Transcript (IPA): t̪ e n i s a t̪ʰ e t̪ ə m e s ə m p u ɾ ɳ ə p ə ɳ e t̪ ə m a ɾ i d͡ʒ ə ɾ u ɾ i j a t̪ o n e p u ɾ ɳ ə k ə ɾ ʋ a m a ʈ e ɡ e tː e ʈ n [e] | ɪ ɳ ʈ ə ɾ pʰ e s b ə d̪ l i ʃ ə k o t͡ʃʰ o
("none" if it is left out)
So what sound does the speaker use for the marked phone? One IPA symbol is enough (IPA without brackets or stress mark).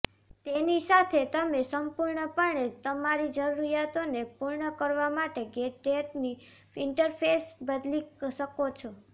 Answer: i